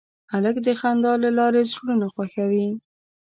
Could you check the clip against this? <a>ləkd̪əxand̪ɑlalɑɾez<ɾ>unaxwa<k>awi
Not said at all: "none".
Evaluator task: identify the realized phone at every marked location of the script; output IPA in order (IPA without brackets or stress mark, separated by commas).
a, ɽ, x